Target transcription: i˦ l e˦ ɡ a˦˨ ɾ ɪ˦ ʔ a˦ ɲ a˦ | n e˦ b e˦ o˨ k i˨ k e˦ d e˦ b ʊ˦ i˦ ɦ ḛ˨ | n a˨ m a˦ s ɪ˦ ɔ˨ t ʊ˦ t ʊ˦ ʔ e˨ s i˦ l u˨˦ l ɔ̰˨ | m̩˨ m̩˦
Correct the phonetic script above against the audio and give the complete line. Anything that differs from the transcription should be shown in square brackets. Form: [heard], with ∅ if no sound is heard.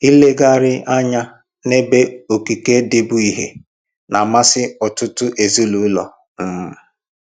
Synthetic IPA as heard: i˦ l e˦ ɡ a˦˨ ɾ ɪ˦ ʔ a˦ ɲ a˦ | n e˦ b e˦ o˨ k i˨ k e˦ d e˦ b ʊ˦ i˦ ɦ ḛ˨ | n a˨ m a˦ s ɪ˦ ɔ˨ t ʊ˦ t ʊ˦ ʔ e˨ [z] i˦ l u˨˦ l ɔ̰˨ | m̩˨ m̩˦